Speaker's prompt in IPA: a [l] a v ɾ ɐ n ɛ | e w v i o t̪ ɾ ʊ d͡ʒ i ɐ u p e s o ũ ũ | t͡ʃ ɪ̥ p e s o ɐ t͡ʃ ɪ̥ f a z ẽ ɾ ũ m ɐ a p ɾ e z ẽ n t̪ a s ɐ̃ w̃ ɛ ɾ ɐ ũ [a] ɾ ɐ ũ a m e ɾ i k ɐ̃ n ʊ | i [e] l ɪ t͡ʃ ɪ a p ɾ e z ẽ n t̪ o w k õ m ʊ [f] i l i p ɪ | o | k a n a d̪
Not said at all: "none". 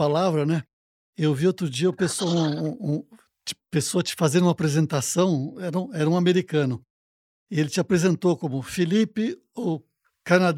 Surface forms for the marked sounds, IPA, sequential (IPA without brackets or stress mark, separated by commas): l, ɛ, e, f